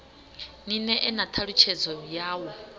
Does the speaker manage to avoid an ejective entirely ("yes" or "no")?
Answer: yes